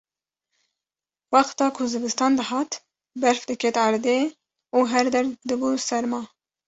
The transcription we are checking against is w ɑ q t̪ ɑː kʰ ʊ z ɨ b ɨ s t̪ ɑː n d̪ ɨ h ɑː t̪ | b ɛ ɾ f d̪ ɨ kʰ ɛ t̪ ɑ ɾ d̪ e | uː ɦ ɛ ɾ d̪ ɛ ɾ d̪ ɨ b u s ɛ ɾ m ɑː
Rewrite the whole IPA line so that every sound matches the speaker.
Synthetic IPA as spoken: w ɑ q t̪ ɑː kʰ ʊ z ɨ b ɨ s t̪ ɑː n d̪ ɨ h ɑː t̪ | b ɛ ɾ f d̪ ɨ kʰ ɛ t̪ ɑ ɾ d̪ e | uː ɦ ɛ ɾ d̪ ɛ ɾ d̪ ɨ b u s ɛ ɾ m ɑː